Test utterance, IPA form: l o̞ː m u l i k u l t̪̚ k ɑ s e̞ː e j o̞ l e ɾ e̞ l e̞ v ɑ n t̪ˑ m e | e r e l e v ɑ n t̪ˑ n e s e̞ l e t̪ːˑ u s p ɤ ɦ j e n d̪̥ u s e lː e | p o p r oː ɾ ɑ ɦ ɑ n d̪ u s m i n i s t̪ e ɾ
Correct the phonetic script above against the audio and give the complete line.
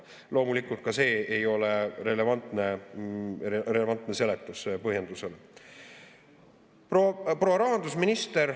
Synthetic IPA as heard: l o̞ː m u l i k u l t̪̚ k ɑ s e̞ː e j o̞ l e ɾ e̞ l e̞ v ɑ n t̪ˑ n e | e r e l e v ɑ n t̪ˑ n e s e̞ l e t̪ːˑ u s p ɤ ɦ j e n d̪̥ u s e l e | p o p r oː ɾ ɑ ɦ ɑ n d̪ u s m i n i s t̪ e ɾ